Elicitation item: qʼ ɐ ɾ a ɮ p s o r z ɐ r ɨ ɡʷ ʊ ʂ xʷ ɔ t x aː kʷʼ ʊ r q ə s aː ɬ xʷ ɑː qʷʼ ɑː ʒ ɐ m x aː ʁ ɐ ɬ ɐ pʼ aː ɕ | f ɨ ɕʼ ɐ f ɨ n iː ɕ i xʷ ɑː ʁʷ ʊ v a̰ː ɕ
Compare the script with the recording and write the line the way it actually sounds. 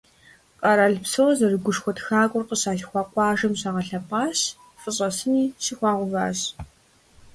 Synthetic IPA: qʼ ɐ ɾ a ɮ p s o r z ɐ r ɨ ɡʷ ʊ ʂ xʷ ɔ t x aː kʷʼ ʊ r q ə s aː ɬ xʷ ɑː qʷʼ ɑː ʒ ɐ m ɕ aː ʁ ɐ ɬ ɐ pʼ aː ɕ | f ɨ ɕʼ ɐ s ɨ n iː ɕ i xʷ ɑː ʁʷ ʊ v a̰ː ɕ

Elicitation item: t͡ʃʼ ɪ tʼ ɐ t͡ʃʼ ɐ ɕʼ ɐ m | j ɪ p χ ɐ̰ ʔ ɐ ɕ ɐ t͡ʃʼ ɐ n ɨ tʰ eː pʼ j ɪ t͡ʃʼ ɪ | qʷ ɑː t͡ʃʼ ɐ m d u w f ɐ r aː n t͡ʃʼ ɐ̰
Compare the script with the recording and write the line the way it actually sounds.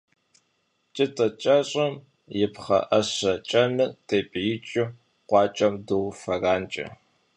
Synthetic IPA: t͡ʃʼ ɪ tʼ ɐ t͡ʃʼ ɐ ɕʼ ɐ m | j ɪ p χ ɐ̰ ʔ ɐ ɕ ɐ t͡ʃʼ ɐ n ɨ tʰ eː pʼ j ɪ t͡ʃʼ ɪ | qʷ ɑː t͡ʃʼ ɐ m d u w f ɐ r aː n t͡ʃʼ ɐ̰

